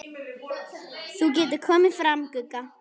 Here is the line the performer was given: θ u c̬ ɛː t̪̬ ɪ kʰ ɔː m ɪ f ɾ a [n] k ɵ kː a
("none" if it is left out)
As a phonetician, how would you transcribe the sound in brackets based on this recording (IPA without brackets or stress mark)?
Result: m